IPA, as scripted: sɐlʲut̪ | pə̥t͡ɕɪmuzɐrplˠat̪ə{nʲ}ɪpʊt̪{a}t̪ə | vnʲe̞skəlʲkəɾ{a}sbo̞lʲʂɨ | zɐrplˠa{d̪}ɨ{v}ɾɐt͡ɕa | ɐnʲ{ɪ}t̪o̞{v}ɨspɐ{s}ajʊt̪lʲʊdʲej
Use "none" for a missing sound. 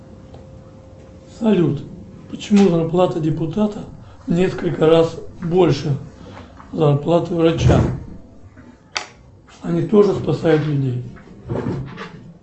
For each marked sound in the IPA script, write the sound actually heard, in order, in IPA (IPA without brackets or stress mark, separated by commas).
dʲ, a, a, t̪, v, i, ʐ, s